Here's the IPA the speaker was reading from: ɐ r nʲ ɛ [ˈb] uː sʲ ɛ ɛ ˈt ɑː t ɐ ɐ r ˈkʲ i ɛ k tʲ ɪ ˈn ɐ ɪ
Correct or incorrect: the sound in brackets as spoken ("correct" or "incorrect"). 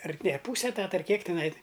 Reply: incorrect